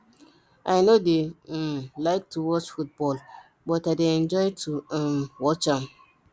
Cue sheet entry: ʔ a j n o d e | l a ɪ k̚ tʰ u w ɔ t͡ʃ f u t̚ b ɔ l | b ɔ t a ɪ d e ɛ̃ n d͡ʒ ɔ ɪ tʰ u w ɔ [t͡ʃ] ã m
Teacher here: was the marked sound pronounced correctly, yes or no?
yes